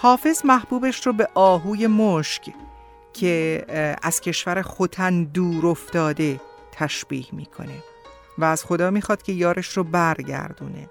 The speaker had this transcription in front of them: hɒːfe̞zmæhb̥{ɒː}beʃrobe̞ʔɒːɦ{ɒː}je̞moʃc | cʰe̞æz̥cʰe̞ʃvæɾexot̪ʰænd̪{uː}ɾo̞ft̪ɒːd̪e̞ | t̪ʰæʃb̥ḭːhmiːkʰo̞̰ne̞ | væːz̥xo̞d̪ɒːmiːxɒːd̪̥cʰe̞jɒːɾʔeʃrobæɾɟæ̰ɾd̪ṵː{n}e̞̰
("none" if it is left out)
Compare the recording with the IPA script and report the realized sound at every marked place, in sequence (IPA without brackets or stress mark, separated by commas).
uː, uː, uː, n